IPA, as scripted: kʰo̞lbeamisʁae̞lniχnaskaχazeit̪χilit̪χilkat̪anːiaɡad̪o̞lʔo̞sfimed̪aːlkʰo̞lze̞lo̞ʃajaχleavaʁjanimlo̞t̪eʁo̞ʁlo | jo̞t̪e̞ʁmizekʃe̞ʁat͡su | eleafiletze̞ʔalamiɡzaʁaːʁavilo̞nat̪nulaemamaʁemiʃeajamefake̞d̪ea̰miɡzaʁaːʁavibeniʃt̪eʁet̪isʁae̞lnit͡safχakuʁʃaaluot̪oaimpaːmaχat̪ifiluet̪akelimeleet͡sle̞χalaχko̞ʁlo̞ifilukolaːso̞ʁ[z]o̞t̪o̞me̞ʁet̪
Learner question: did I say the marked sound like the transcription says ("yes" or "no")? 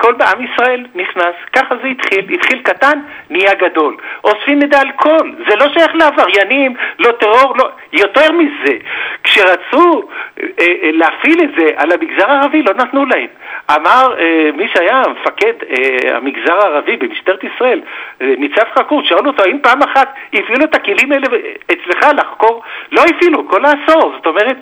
yes